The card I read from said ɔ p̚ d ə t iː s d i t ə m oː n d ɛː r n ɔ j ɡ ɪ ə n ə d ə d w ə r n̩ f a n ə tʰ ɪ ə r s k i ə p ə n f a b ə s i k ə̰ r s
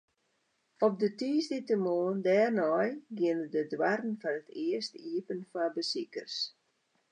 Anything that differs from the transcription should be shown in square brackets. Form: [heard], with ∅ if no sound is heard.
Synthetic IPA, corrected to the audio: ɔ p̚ d ə t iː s d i t ə m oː n d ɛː r n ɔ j ɡ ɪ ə n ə d ə d w [a] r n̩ f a n ə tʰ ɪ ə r s [t] i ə p ə n f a b ə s i k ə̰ r s